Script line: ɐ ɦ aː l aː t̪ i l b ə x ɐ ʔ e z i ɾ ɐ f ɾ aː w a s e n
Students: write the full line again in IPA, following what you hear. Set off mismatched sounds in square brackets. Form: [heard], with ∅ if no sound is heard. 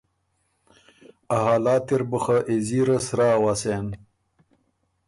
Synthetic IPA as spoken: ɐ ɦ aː l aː t̪ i [ɾ] b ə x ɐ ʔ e z i ɾ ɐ [s] ɾ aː w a s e n